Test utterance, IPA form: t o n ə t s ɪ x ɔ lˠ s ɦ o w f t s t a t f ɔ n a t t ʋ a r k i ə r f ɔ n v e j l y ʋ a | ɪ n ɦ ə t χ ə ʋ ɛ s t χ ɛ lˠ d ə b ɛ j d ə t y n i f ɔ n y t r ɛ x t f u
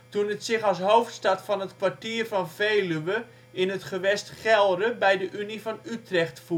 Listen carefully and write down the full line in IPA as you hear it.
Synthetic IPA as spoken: t u n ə t s ɪ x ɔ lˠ s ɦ o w f t s t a t f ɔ n ə t k ʋ a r t i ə r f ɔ n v e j l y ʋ ə | ɪ n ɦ ə t χ ə ʋ ɛ s t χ ɛ lˠ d ə b ɛ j d ə ʔ y n i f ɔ n y t r ɛ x t f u